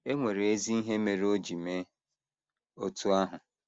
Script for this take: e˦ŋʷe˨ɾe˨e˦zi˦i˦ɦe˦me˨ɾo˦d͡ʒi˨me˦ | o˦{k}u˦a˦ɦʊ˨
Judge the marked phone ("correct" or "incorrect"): incorrect